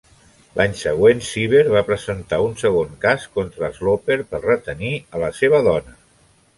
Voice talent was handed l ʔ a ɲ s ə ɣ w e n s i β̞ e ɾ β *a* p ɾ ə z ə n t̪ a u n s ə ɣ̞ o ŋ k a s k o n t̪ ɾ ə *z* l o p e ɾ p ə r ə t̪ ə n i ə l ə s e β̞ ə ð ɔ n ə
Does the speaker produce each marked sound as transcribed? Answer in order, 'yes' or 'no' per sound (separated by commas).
yes, yes